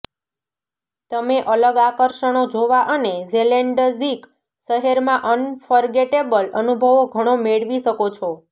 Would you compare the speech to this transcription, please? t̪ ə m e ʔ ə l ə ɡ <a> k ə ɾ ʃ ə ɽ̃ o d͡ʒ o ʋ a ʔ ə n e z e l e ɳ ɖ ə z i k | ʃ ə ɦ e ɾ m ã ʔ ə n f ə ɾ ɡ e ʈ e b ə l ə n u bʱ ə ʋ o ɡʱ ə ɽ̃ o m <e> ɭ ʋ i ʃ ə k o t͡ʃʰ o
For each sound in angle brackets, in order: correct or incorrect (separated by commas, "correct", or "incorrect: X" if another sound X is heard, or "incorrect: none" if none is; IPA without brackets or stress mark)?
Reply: correct, correct